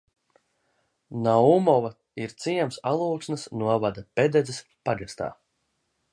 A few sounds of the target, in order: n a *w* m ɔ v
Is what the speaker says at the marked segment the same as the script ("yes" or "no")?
no